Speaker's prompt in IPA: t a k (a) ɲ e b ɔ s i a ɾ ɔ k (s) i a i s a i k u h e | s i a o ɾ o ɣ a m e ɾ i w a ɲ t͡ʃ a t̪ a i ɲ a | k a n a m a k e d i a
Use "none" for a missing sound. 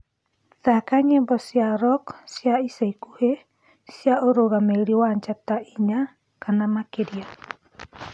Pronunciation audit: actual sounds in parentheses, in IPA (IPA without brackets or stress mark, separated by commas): a, s